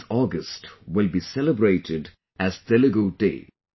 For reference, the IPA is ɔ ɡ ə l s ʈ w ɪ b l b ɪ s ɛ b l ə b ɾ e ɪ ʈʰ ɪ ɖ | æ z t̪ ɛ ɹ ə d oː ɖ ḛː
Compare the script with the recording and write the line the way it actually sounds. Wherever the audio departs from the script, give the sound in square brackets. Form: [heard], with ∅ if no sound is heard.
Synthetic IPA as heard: ɔ ɡ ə [∅] s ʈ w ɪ [∅] l b [i] s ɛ [∅] l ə b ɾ e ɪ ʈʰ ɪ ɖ | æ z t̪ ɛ [l] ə [ɡ] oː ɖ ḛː

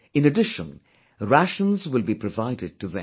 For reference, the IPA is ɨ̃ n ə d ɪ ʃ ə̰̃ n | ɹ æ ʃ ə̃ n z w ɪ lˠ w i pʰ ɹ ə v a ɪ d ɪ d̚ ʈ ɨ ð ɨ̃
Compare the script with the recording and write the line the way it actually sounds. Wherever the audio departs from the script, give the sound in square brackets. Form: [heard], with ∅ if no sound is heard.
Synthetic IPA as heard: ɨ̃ n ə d ɪ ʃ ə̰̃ n | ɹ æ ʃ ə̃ n z w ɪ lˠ [b] i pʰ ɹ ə v a ɪ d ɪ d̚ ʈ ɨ ð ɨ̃

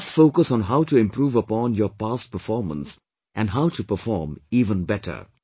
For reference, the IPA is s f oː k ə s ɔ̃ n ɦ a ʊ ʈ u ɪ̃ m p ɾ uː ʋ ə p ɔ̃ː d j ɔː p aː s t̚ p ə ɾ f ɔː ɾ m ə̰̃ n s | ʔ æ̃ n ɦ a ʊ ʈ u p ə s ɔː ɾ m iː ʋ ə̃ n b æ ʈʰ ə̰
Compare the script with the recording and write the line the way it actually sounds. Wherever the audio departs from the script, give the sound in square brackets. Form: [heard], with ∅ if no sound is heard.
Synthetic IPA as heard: s f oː k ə s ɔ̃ n ɦ a ʊ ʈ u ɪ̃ m p ɾ uː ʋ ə p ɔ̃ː [n] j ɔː p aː s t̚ p ə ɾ f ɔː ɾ m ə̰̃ n s | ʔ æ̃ n ɦ a ʊ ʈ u p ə [f] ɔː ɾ m iː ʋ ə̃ n b [ɛ] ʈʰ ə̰

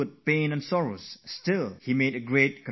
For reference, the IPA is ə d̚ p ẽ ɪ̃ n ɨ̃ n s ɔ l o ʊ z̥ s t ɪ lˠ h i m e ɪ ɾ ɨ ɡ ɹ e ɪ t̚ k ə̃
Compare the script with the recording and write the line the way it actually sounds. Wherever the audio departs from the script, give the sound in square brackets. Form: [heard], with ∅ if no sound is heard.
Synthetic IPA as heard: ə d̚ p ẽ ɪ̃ n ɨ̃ n s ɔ [ɹ] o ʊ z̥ s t ɪ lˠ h i m e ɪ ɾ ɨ ɡ ɹ e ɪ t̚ k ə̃

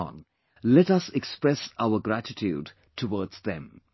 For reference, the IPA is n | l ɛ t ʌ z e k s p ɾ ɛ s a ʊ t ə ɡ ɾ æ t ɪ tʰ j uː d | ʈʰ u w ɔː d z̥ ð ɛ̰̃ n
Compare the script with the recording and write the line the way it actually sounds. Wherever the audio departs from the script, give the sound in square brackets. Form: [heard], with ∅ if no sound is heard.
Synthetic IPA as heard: n | l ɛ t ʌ [s] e k s p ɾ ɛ s a ʊ [∅] ə ɡ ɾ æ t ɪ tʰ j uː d | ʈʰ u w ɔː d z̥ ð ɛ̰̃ [m]

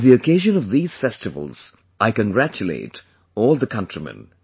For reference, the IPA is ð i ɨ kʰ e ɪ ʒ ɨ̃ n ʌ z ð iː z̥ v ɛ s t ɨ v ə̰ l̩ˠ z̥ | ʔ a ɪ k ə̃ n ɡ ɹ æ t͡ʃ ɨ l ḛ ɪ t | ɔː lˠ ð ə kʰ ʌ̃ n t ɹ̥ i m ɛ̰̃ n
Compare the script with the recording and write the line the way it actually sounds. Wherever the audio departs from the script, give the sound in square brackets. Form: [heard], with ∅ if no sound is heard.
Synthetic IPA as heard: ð i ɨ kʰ e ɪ ʒ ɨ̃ n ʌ [v] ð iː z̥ [f] ɛ s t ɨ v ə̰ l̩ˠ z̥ | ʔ a ɪ k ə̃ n ɡ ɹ æ t͡ʃ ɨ l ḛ ɪ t | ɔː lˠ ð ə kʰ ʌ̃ n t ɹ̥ i m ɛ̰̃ n

